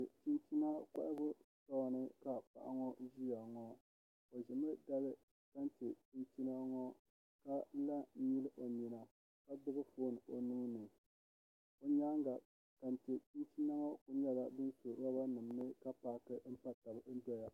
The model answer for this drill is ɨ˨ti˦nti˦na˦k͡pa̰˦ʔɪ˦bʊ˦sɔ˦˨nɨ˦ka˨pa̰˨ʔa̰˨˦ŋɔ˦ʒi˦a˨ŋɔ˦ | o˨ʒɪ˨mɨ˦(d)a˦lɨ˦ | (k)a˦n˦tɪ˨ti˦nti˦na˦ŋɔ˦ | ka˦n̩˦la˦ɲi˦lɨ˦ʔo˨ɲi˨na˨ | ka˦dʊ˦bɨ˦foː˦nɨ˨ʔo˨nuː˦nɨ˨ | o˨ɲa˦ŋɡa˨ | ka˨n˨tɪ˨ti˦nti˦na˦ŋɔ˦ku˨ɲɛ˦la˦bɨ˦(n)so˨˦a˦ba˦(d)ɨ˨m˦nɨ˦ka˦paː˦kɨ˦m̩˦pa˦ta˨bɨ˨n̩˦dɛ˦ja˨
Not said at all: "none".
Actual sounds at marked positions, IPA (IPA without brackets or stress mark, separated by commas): d, k, n, n